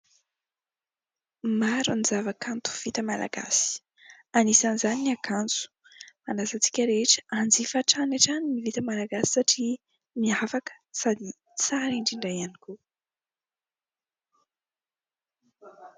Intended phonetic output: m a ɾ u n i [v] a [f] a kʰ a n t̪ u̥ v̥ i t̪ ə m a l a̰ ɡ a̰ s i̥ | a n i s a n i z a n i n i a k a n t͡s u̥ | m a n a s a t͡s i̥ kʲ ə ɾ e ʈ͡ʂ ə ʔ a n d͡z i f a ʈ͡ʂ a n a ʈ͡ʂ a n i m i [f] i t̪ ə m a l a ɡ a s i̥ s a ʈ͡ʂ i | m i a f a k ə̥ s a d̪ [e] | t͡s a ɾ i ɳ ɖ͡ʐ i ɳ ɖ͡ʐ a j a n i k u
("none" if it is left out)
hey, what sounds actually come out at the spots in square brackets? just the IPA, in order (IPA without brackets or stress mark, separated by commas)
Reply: z, v, v, i